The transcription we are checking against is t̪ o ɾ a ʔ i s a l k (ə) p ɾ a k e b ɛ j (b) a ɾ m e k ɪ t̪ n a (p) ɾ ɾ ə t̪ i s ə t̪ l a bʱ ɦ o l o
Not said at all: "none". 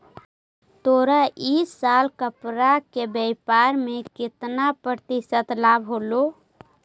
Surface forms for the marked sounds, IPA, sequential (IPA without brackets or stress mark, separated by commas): ə, p, p